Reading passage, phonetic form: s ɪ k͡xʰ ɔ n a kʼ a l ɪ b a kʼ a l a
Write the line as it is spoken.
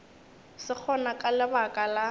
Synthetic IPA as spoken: s ɪ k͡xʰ ɔ n a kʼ a l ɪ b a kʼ a l a

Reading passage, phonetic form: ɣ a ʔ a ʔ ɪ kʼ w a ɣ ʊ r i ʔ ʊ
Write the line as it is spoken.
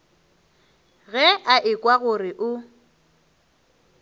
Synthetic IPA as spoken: ɣ ɛ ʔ a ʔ ɪ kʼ w a ɣ ʊ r ɪ ʔ ʊ

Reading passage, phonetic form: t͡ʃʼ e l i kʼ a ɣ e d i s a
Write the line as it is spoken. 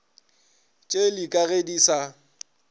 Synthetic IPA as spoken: t͡ʃʼ e l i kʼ a ɣ e d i s a

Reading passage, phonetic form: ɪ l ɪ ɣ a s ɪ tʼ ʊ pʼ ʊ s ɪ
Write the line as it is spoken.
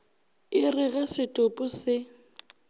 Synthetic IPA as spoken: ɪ r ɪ ɣ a s ɪ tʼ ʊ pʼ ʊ s ɪ

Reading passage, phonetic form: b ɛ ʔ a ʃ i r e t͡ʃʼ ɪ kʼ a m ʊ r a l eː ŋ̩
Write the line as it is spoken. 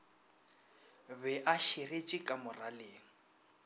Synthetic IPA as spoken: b ɛ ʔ a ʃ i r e t͡ʃʼ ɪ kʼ a m ʊ r a l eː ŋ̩

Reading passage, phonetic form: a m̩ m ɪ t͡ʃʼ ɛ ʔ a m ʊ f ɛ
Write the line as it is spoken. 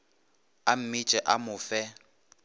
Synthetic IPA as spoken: a m̩ m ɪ t͡ʃʼ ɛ ʔ a m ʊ f ɛ

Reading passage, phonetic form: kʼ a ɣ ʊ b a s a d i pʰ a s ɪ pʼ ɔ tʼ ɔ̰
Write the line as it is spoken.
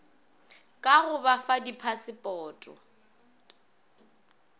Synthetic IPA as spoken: kʼ a ɣ ʊ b a f a d i pʰ a s ɪ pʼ ɔː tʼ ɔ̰

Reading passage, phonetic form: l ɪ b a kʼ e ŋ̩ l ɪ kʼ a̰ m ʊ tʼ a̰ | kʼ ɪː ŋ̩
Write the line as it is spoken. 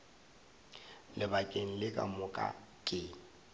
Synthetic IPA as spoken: l ɪ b a kʼ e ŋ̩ l ɪ kʼ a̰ m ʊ kʼ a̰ | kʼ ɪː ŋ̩

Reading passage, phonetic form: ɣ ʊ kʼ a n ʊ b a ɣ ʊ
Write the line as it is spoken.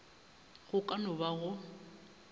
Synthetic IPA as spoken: ɣ ʊ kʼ a n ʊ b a ɣ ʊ

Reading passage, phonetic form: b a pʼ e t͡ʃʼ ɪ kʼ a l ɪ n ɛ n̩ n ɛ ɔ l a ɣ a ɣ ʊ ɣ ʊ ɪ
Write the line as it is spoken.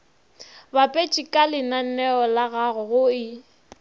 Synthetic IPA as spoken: b a pʼ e t͡ʃʼ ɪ kʼ a l ɪ n a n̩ n ɛ ɔ l a ɣ a ɣ ʊ ɣ ʊ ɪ

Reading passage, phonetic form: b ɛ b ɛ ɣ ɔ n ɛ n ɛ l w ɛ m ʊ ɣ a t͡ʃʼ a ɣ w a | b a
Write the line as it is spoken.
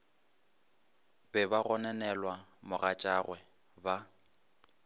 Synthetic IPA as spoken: b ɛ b a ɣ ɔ n ɛ n ɛ l w a m ʊ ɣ a t͡ʃʼ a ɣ w ɛ | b a

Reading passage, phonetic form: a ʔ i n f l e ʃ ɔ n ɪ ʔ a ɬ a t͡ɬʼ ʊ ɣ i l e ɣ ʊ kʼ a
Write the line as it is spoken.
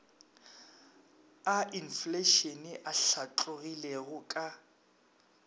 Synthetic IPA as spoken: a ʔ i n f l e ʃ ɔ n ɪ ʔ a ɬ a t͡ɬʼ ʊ ɣ i l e ɣ ʊ kʼ a

